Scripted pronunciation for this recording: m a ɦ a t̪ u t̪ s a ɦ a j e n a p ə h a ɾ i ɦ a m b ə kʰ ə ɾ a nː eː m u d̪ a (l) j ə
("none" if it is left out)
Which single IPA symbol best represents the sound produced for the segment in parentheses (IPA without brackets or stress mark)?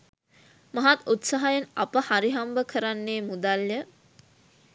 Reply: l